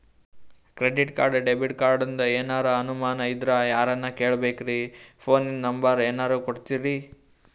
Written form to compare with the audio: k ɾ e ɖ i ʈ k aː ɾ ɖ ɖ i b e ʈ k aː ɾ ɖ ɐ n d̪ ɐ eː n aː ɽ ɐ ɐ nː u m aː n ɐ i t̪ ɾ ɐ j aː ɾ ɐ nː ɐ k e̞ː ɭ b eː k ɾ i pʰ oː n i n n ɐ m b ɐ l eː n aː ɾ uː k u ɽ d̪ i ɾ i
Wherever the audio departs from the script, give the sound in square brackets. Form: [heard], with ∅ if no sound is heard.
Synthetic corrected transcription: k ɾ e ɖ i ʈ k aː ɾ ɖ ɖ [e] b [i] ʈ k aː ɾ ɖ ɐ n d̪ ɐ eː n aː [ɾ] ɐ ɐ [n] u m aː n ɐ i [d̪] ɾ ɐ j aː ɾ ɐ nː ɐ k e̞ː ɭ b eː k ɾ i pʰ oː n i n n ɐ m b ɐ [ɾ] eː n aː ɾ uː k [o] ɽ [t̪] i ɾ i

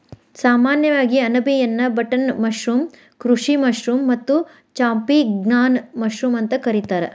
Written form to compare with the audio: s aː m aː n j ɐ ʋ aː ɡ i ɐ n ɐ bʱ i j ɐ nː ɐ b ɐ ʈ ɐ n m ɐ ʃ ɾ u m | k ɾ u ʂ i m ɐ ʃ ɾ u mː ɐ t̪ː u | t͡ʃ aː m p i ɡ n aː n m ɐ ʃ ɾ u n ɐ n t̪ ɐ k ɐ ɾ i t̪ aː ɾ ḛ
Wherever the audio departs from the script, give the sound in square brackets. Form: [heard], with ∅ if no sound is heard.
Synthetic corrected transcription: s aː m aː n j ɐ ʋ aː ɡ i ɐ n ɐ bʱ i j ɐ nː ɐ b ɐ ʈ ɐ n m ɐ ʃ ɾ u m | k ɾ u ʂ i m ɐ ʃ ɾ u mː ɐ t̪ː u | t͡ʃ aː m p i ɡ n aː n m ɐ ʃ ɾ u [m] ɐ n t̪ ɐ k ɐ ɾ i t̪ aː ɾ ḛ

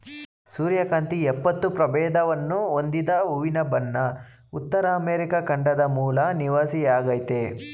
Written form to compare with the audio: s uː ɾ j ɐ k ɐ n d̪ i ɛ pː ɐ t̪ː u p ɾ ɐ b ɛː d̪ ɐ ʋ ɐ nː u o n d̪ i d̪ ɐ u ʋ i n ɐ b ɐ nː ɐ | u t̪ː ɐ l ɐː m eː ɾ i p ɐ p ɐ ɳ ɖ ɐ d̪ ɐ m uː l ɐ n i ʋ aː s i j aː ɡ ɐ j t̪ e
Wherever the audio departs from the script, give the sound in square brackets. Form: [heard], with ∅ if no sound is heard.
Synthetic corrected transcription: s uː ɾ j ɐ k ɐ n [t̪] i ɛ pː ɐ t̪ː u p ɾ ɐ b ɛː d̪ ɐ ʋ ɐ nː u o n d̪ i d̪ ɐ u ʋ i n ɐ b ɐ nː ɐ | u t̪ː ɐ [ɾ] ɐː m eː ɾ i [k] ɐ [k] ɐ ɳ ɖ ɐ d̪ ɐ m uː l ɐ n i ʋ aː s i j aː ɡ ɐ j t̪ e

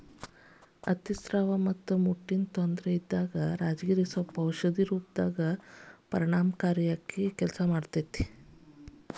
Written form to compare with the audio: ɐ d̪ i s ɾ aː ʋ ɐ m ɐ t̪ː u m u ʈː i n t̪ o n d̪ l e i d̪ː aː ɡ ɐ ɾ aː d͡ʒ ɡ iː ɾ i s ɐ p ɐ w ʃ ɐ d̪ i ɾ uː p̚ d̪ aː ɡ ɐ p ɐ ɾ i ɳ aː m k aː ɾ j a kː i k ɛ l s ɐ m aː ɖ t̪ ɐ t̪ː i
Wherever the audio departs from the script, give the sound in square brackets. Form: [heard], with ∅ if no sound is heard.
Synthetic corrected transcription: ɐ [t̪] i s ɾ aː ʋ ɐ m ɐ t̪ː u m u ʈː i n t̪ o n d̪ [ɾ] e i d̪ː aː ɡ ɐ ɾ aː d͡ʒ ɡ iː ɾ i s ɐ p ɐ w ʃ ɐ d̪ i ɾ uː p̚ d̪ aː ɡ ɐ p ɐ ɾ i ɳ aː m k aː ɾ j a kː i k ɛ l s ɐ m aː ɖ t̪ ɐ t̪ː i

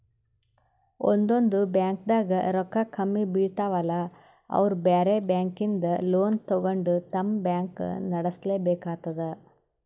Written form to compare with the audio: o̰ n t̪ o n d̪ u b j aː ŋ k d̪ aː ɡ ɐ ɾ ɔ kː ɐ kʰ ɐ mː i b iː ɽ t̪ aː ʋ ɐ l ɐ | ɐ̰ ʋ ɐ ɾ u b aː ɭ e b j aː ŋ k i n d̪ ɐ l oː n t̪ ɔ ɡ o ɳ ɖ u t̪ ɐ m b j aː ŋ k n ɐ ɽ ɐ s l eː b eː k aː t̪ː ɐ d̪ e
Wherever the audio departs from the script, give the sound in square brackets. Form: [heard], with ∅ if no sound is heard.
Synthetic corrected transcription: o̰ n [d̪] o n d̪ u b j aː ŋ k d̪ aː ɡ ɐ ɾ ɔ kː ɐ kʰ ɐ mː i b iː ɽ t̪ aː ʋ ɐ l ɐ | ɐ̰ ʋ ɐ ɾ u b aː [ɾ] e b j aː ŋ k i n d̪ ɐ l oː n t̪ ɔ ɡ o ɳ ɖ u t̪ ɐ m b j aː ŋ k n ɐ ɽ ɐ s l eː b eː k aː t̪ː ɐ d̪ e

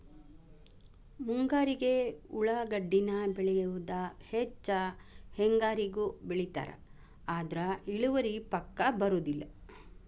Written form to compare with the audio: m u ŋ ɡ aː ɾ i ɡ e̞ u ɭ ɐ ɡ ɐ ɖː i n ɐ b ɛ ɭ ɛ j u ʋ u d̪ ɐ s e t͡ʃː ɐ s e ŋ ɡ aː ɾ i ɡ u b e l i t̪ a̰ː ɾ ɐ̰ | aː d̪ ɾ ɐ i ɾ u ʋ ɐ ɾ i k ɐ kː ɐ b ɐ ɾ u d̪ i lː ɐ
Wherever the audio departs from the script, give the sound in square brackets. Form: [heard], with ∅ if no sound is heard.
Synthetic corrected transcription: m u ŋ ɡ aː ɾ i ɡ e̞ u ɭ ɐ ɡ ɐ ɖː i n ɐ b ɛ ɭ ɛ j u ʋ u d̪ ɐ [h] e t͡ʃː ɐ [h] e ŋ ɡ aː ɾ i ɡ u b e [ɭ] i t̪ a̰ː ɾ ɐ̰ | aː d̪ ɾ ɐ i [ɭ] u ʋ ɐ ɾ i [p] ɐ kː ɐ b ɐ ɾ u d̪ i lː ɐ

